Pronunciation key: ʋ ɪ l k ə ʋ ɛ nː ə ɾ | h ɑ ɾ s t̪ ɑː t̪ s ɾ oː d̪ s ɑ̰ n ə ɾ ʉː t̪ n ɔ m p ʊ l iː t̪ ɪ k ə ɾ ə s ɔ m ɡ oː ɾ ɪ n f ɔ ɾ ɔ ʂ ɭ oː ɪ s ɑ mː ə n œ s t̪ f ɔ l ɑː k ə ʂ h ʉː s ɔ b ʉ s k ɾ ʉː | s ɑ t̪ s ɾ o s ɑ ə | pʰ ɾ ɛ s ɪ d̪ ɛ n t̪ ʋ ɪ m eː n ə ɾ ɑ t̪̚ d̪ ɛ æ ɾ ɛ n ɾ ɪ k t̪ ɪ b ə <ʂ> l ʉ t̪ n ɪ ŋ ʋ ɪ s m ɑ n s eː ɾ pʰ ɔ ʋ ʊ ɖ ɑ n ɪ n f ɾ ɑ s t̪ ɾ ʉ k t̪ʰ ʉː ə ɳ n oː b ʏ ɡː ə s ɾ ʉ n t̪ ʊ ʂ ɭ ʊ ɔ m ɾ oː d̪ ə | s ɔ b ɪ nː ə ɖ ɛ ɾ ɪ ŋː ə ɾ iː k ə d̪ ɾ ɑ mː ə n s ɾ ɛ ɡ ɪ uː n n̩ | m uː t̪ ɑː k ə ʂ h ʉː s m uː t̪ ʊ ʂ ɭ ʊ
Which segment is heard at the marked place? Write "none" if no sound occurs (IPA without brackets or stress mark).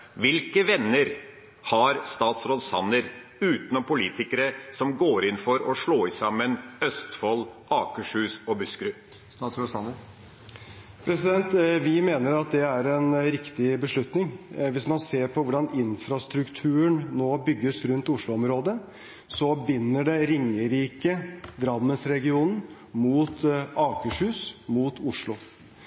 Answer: ʂ